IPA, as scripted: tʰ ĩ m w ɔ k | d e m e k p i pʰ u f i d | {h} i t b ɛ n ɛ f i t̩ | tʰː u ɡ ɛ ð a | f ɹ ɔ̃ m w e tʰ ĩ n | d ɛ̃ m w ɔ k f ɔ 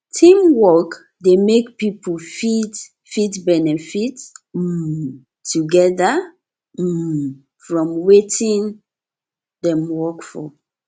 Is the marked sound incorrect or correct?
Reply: incorrect